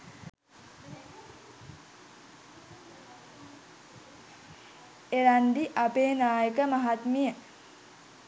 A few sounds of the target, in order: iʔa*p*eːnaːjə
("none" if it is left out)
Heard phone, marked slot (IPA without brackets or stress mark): p